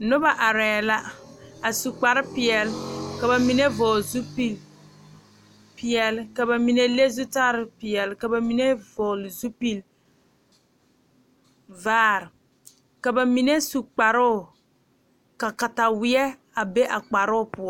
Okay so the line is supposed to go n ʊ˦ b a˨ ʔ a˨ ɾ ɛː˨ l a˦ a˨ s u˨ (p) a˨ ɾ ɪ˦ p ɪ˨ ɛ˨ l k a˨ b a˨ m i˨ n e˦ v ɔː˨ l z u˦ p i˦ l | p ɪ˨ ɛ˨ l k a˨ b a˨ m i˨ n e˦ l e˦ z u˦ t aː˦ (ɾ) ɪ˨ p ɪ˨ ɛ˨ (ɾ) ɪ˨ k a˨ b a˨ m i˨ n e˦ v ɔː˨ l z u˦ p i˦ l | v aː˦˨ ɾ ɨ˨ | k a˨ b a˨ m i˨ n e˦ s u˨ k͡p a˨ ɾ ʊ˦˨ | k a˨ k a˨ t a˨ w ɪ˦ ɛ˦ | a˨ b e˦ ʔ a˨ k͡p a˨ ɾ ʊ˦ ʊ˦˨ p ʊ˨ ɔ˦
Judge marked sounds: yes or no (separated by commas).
no, yes, no